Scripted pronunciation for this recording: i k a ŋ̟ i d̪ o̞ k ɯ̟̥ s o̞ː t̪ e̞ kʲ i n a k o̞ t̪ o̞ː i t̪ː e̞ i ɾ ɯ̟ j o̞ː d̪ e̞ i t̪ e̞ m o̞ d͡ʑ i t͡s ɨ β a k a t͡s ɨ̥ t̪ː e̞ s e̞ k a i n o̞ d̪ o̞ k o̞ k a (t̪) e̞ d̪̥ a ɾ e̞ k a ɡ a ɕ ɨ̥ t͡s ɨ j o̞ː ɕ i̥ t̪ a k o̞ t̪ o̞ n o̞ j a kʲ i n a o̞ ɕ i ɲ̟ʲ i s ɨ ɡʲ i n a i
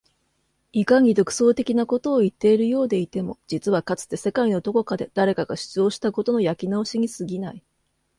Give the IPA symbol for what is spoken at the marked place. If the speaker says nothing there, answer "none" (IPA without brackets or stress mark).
d̪